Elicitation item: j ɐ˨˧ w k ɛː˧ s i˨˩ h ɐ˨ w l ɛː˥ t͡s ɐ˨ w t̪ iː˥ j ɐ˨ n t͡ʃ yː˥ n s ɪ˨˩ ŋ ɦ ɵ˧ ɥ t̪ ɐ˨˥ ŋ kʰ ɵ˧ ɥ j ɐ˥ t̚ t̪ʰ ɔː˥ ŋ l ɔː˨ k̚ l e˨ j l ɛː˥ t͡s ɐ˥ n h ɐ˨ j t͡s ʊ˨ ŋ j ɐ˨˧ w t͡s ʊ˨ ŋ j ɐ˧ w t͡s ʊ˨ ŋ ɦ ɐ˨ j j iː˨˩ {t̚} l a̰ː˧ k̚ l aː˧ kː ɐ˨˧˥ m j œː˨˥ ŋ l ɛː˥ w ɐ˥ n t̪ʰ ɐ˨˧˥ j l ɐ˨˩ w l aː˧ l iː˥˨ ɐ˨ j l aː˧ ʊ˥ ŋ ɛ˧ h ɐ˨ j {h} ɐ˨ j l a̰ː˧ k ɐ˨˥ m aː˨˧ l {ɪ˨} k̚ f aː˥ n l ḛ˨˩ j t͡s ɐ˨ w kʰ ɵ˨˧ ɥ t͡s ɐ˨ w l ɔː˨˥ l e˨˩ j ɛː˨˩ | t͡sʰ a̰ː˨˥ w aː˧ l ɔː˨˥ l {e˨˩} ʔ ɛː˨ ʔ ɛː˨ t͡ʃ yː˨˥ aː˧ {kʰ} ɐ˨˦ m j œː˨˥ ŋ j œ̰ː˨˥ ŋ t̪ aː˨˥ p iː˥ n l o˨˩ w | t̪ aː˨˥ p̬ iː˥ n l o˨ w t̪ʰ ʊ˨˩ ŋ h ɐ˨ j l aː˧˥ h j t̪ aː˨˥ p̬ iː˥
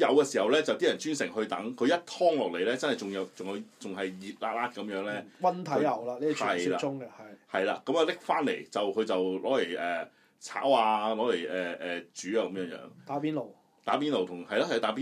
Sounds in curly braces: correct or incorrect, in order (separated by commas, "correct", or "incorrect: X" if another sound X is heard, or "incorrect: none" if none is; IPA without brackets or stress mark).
correct, correct, incorrect: ɪ˥, correct, incorrect: k